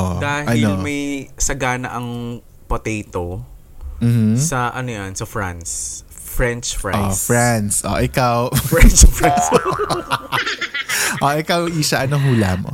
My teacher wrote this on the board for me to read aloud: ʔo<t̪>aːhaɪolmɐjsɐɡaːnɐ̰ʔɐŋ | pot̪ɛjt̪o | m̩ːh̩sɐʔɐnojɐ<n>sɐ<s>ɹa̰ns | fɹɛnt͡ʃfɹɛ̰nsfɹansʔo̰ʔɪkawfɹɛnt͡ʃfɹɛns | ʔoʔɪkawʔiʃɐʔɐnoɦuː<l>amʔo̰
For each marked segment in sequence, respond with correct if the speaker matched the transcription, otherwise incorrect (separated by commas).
incorrect, correct, incorrect, correct